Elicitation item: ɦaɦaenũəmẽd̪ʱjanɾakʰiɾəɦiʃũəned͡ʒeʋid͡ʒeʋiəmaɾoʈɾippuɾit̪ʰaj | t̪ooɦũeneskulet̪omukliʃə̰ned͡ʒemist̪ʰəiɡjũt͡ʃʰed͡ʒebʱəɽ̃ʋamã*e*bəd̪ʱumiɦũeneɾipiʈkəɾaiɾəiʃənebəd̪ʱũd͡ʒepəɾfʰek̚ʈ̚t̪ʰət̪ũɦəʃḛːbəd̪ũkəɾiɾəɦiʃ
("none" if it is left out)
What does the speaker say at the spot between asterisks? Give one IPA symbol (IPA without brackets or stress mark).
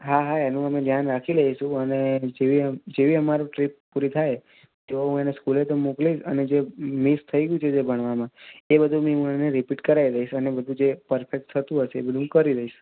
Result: e